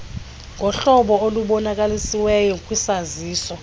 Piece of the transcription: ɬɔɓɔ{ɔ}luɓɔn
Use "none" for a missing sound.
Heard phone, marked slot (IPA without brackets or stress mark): o